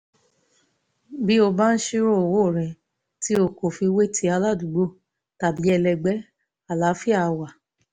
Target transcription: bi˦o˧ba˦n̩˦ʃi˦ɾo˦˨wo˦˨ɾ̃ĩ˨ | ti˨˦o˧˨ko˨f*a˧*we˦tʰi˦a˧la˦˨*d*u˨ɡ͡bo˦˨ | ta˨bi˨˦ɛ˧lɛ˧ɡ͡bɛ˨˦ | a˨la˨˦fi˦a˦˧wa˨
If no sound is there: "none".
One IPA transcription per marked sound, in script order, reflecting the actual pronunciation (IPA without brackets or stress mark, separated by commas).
i˧, d